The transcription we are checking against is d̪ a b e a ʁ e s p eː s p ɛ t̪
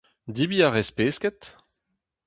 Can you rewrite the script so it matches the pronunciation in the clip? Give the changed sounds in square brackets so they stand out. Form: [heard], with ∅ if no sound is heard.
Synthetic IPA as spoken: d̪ [i] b [i] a ʁ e s p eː s [k] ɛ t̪